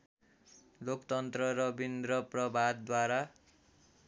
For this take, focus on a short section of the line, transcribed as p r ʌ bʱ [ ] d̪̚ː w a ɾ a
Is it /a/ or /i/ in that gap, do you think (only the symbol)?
a